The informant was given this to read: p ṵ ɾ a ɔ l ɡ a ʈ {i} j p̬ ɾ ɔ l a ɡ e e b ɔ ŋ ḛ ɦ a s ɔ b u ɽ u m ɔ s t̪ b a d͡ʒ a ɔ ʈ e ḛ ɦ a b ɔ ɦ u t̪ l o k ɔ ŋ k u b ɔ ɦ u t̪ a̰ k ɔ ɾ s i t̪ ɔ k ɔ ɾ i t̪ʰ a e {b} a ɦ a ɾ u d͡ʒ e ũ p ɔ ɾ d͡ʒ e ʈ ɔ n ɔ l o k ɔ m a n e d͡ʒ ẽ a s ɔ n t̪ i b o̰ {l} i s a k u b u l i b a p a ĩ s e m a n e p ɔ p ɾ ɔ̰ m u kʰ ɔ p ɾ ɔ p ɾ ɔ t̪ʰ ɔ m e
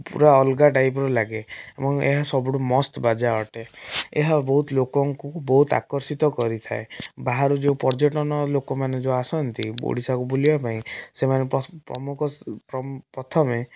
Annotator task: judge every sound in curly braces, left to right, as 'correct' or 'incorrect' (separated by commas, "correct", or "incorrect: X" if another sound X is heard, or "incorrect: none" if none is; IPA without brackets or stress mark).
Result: incorrect: a, correct, incorrect: ɽ